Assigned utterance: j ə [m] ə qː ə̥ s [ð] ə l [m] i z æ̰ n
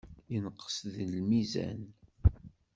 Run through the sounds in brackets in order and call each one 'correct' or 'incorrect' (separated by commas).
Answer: incorrect, correct, correct